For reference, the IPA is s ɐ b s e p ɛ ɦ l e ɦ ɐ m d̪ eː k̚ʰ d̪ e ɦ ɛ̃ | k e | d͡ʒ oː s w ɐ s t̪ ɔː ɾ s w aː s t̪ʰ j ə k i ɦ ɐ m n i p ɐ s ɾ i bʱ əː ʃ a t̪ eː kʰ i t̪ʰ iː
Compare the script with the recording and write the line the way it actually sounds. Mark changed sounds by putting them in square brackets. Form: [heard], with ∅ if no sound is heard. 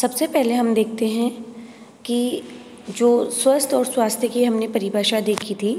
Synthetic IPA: s ɐ b s e p ɛ ɦ l e ɦ ɐ m d̪ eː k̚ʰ [t̪] e ɦ ɛ̃ | k [i] | d͡ʒ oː s w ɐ s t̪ ɔː ɾ s w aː s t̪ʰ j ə k i ɦ ɐ m n [e] p ɐ [∅] ɾ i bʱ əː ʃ a [d̪] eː kʰ i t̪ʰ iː